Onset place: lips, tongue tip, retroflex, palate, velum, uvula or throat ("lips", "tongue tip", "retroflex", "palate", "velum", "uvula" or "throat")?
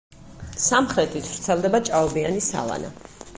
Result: tongue tip